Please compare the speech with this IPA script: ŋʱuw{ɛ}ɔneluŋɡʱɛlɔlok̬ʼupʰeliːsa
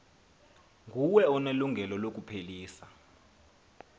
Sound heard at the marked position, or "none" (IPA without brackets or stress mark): ɛ